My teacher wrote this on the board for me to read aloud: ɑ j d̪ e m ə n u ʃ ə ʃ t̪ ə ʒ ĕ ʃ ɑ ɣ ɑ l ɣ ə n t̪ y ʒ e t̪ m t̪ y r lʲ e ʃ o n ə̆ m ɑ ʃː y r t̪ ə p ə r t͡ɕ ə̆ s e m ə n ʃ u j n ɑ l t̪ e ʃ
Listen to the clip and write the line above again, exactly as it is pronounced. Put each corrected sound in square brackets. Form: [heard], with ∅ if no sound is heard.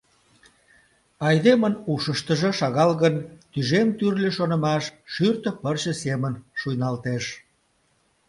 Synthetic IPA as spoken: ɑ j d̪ e m ə n u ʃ ə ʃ t̪ ə ʒ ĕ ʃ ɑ ɣ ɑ l ɣ ə n t̪ y ʒ e [∅] m t̪ y r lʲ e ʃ o n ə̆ m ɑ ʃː y r t̪ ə p ə r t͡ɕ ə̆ s e m ə n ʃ u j n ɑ l t̪ e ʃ